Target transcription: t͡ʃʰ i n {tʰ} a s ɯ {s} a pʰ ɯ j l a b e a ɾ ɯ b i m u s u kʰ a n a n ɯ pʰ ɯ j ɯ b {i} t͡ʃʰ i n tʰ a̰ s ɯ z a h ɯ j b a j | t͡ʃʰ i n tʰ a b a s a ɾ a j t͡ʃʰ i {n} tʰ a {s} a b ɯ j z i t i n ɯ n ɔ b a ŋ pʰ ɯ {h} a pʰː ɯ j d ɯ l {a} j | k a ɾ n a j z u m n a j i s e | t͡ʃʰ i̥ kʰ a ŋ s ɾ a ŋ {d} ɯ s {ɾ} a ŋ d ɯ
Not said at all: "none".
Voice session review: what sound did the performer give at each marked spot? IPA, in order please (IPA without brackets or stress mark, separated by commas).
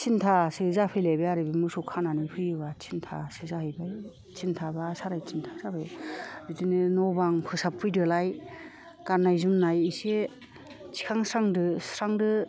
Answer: tʰ, z, a, n, s, s, a, d, ɾ